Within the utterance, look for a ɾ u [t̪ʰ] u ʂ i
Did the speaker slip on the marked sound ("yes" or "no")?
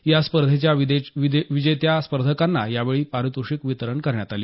yes